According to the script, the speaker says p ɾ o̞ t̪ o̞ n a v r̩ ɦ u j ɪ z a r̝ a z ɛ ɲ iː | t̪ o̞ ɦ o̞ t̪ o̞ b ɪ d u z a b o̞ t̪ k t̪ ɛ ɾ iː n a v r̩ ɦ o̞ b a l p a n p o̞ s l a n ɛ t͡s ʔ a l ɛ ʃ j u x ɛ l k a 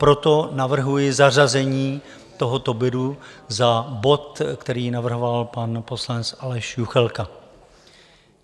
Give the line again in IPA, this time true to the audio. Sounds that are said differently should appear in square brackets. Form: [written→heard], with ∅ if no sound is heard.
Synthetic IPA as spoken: p ɾ o̞ t̪ o̞ n a v r̩ ɦ u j ɪ z a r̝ a z ɛ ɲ iː | t̪ o̞ ɦ o̞ t̪ o̞ b ɪ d u z a b o̞ t̪ k t̪ ɛ ɾ iː n a v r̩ ɦ o̞ [b→v] a l p a n p o̞ s l a n ɛ t͡s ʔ a l ɛ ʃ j u x ɛ l k a

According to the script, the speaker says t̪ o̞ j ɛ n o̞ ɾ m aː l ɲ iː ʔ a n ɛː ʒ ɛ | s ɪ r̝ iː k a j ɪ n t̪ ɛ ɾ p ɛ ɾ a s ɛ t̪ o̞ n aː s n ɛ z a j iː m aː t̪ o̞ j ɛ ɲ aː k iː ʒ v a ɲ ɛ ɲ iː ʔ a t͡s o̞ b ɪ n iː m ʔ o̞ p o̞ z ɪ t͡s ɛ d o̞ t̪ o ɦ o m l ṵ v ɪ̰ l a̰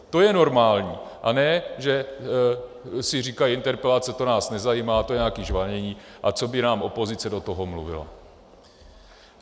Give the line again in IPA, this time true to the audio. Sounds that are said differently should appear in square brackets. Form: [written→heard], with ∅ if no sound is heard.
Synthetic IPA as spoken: t̪ o̞ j ɛ n o̞ ɾ m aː l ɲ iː ʔ a n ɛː ʒ ɛ | s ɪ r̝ iː k a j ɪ n t̪ ɛ ɾ p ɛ [ɾ→l] a [s→t͡s] ɛ t̪ o̞ n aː s n ɛ z a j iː m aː t̪ o̞ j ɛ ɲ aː k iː ʒ v a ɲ ɛ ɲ iː ʔ a t͡s o̞ b ɪ n [iː→aː] m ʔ o̞ p o̞ z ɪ t͡s ɛ d o̞ t̪ o ɦ o m l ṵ v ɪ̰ l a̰

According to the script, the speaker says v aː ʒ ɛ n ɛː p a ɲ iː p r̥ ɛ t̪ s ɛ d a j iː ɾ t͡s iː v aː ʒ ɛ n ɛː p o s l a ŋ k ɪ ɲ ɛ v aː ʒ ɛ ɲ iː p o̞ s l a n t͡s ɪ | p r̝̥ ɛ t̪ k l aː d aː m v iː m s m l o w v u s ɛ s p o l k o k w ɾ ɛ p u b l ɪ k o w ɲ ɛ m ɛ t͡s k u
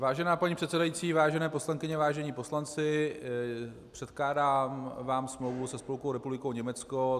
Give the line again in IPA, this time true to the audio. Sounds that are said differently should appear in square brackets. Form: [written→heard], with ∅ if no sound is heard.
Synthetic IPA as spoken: v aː ʒ ɛ n [ɛː→aː] p a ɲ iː p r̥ ɛ t̪ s ɛ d a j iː [ɾ→∅] t͡s iː v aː ʒ ɛ n ɛː p o s l a ŋ k ɪ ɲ ɛ v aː ʒ ɛ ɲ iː p o̞ s l a n t͡s ɪ | p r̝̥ ɛ t̪ k l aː d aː m v [iː→aː] m s m l o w v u s ɛ s p o l k o [k→∅] w ɾ ɛ p u b l ɪ k o w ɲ ɛ m ɛ t͡s k [u→o]

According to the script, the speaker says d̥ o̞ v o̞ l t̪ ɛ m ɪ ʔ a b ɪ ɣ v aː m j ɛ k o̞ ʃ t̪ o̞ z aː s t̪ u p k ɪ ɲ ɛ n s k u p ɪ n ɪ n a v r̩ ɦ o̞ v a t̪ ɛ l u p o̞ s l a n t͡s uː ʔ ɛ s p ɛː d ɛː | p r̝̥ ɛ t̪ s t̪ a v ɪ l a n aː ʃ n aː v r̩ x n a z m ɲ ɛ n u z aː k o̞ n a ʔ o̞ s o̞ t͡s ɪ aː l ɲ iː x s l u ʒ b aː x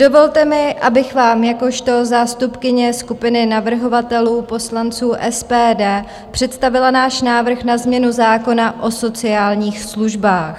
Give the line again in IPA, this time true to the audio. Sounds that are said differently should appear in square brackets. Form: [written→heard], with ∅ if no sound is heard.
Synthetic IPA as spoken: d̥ o̞ v o̞ l t̪ ɛ m ɪ ʔ a b ɪ [ɣ→x] v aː m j [ɛ→a] k o̞ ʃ t̪ o̞ z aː s t̪ u p k ɪ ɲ ɛ [n→∅] s k u p ɪ n ɪ n a v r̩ ɦ o̞ v a t̪ ɛ l [u→uː] p o̞ s l a n t͡s uː ʔ ɛ s p ɛː d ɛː | p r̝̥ ɛ t̪ s t̪ a v ɪ l a n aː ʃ n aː v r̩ x n a z m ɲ ɛ n u z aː k o̞ n a ʔ o̞ s o̞ t͡s ɪ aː l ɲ iː x s l u ʒ b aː x

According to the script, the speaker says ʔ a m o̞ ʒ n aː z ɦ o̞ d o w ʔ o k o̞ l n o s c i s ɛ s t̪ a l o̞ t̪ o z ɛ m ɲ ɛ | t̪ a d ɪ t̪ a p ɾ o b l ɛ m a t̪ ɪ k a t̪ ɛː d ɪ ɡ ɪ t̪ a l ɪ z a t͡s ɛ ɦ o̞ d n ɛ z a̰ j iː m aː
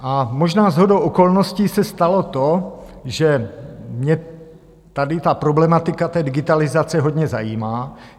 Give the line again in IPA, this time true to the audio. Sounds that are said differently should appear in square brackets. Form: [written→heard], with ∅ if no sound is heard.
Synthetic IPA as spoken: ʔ a m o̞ ʒ n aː z ɦ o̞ d o w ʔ o k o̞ l n o s c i s ɛ s t̪ a l o̞ t̪ o [z→ʒ] ɛ m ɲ ɛ | t̪ a d ɪ t̪ a p ɾ o b l ɛ m a t̪ ɪ k a t̪ ɛː d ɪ ɡ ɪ t̪ a l ɪ z a t͡s ɛ ɦ o̞ d [n→ɲ] ɛ z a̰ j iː m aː

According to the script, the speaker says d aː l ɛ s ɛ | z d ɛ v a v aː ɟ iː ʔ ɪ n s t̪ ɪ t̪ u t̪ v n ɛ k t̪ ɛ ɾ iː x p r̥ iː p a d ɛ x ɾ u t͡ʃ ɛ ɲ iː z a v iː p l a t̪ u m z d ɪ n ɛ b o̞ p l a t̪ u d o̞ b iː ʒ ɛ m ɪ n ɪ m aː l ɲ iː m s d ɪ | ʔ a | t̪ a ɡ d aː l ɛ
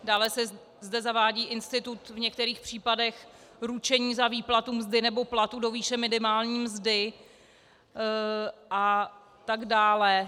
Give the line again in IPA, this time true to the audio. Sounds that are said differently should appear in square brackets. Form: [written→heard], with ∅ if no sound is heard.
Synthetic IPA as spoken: d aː l ɛ s ɛ | z d ɛ [v→z] a v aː ɟ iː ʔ ɪ n s t̪ ɪ t̪ u t̪ v [n→ɲ] ɛ k t̪ ɛ ɾ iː x p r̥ iː p a d ɛ x ɾ u t͡ʃ ɛ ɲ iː z a v iː p l a t̪ u m z d ɪ n ɛ b o̞ p l a t̪ u d o̞ [b→v] iː [ʒ→ʃ] ɛ m ɪ n ɪ m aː l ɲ iː m [s→z] d ɪ | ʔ a | t̪ a ɡ d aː l ɛ

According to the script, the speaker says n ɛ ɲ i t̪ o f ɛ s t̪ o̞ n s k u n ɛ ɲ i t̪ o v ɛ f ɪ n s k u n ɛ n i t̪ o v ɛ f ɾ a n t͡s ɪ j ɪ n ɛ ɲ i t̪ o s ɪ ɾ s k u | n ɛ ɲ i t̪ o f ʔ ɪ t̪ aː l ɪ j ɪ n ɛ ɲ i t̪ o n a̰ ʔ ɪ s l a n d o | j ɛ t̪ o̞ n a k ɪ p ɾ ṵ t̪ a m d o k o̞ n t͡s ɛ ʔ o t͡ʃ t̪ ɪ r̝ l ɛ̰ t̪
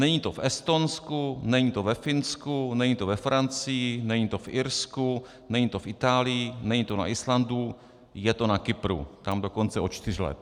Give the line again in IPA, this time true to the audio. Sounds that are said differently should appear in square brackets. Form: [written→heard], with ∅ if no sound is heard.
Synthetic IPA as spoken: n ɛ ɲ i t̪ o f ɛ s t̪ o̞ n s k u n ɛ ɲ i t̪ o v ɛ f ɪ n s k u n ɛ [n→ɲ] i t̪ o v ɛ f ɾ a n t͡s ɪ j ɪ n ɛ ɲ i t̪ o [s→f] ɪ ɾ s k u | n ɛ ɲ i t̪ o f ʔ ɪ t̪ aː l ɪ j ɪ n ɛ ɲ i t̪ o n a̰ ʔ ɪ s l a n d [o→u] | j ɛ t̪ o̞ n a k ɪ p ɾ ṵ t̪ a m d o k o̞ n t͡s ɛ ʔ o t͡ʃ t̪ ɪ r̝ l ɛ̰ t̪

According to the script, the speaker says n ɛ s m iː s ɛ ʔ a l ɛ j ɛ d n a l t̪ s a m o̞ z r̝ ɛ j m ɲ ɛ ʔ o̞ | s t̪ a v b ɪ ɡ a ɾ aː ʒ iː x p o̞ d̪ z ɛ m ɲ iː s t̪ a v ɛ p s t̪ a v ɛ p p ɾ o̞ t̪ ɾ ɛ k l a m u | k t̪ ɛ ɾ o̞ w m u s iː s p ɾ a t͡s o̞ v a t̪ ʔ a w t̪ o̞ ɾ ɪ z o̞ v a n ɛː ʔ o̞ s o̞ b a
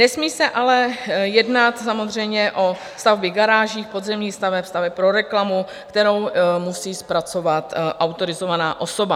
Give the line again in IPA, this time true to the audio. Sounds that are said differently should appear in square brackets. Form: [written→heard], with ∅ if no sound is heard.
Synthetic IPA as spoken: n ɛ s m iː s ɛ ʔ a l ɛ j ɛ d n a [l→∅] t̪ s a m o̞ z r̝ ɛ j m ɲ ɛ ʔ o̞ | s t̪ a v b ɪ ɡ a ɾ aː ʒ iː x p o̞ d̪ z ɛ m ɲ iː s t̪ a v ɛ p s t̪ a v ɛ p p ɾ o̞ [t̪→∅] ɾ ɛ k l a m u | k t̪ ɛ ɾ o̞ w m u s iː s p ɾ a t͡s o̞ v a t̪ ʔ a w t̪ o̞ ɾ ɪ z o̞ v a n [ɛː→aː] ʔ o̞ s o̞ b a

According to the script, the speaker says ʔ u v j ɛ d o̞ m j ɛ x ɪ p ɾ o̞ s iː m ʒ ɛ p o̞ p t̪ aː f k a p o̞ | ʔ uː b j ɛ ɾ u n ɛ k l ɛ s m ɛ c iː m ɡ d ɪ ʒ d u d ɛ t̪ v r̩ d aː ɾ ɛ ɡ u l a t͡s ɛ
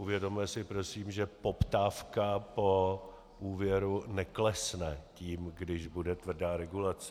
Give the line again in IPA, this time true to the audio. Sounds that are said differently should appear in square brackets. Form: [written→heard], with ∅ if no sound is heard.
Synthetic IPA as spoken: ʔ u v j ɛ d o̞ m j ɛ [x→s] ɪ p ɾ o̞ s iː m ʒ ɛ p o̞ p t̪ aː f k a p o̞ | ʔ uː [b→v] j ɛ ɾ u n ɛ k l ɛ s [m→n] ɛ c iː m ɡ d ɪ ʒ [d→b] u d ɛ t̪ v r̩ d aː ɾ ɛ ɡ u l a t͡s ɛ

